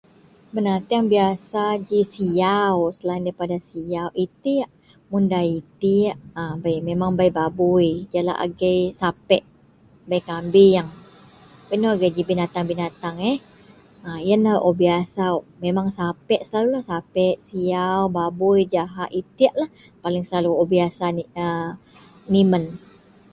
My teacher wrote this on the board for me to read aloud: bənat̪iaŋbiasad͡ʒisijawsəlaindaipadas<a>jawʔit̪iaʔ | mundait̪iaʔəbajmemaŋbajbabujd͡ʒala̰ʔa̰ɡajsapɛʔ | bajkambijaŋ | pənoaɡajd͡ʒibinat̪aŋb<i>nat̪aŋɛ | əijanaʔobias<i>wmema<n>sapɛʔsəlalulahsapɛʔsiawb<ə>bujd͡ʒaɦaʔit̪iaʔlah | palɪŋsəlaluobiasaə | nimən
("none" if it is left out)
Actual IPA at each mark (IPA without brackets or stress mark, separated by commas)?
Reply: i, i, a, ŋ, a